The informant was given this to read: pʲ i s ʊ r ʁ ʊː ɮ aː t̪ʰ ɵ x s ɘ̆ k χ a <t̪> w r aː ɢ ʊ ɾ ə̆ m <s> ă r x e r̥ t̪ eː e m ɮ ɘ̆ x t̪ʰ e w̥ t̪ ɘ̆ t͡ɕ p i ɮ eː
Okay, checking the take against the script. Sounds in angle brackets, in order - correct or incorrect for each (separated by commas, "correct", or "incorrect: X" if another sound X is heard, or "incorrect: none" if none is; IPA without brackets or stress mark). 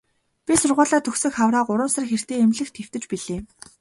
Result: incorrect: none, correct